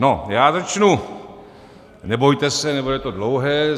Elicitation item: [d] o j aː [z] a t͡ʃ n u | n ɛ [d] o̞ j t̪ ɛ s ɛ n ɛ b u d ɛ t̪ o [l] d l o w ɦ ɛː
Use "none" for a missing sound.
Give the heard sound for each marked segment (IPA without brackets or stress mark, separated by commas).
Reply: n, z, b, none